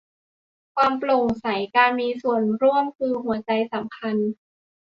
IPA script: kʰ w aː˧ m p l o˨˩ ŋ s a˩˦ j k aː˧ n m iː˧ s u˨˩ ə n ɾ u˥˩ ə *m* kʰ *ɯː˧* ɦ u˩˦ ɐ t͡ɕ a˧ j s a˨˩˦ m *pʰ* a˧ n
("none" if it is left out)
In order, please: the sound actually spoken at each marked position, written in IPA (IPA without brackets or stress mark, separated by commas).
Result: m, ɯː˧, kʰ